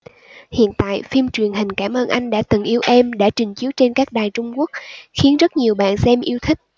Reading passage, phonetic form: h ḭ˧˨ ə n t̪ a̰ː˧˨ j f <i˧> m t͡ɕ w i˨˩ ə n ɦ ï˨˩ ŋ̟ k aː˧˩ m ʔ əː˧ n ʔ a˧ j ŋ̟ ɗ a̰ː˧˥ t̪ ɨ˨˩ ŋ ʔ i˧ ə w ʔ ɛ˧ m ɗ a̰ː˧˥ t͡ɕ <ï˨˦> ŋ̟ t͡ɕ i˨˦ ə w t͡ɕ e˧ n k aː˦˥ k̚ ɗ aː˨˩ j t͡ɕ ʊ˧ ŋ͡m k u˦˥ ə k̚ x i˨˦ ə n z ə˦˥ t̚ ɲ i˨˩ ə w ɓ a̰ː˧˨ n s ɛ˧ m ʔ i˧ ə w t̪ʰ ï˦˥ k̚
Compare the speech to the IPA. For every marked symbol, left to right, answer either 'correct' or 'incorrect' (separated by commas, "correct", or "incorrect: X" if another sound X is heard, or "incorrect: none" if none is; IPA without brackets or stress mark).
correct, incorrect: ï˨˩